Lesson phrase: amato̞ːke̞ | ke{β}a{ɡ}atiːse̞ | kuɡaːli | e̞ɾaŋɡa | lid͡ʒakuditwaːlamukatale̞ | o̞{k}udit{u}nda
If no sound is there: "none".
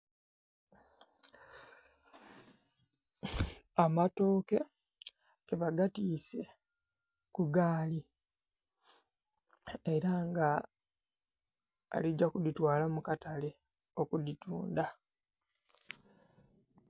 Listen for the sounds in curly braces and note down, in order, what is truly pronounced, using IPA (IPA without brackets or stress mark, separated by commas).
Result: β, ɡ, k, uː